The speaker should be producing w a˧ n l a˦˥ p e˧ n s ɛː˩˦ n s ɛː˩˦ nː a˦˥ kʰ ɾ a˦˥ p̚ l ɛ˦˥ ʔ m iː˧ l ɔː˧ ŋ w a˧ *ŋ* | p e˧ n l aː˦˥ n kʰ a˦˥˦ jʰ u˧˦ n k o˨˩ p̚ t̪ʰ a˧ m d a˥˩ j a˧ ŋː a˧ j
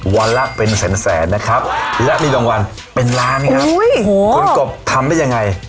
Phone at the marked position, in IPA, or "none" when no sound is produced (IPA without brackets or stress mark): n